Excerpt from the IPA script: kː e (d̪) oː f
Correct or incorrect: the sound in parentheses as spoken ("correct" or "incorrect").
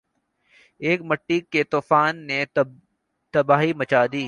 incorrect